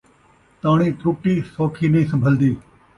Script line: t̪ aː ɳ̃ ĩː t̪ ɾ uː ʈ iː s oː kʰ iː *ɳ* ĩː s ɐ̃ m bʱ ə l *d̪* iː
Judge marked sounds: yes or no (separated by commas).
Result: no, yes